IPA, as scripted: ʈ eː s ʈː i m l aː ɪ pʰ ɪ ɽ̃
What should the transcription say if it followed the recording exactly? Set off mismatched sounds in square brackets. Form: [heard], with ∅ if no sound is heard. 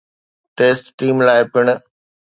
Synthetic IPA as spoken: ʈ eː s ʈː [iː] m l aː ɪ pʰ ɪ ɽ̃